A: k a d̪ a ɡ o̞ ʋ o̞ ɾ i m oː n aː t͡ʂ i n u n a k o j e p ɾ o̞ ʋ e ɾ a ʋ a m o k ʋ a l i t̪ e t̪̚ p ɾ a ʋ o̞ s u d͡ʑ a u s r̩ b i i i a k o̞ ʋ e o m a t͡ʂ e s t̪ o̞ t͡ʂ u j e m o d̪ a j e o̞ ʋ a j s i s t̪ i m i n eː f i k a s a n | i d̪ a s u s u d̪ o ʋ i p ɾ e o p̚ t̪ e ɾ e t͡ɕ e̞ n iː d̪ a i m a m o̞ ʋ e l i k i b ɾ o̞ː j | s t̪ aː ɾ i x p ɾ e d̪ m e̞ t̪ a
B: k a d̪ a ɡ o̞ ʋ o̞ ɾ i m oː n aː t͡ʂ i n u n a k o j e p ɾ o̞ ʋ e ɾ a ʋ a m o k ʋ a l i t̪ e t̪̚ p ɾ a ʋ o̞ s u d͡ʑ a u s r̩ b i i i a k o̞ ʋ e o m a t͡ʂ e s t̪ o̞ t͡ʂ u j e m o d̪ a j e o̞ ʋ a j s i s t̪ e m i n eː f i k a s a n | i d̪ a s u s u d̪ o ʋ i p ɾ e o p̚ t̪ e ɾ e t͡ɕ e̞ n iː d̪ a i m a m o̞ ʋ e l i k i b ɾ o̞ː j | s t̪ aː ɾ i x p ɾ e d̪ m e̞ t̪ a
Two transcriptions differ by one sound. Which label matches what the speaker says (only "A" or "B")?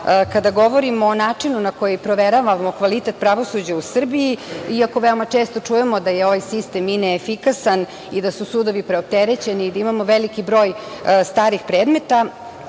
B